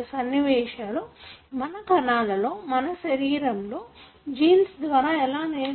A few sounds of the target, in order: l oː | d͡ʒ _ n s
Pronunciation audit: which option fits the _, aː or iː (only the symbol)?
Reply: iː